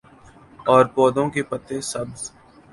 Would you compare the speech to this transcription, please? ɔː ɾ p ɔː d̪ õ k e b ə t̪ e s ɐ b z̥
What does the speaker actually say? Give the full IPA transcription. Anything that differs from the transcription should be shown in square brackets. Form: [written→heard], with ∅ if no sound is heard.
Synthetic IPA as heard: ɔː ɾ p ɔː d̪ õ k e [b→p] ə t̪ e s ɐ b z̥